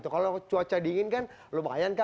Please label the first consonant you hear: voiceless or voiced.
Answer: voiceless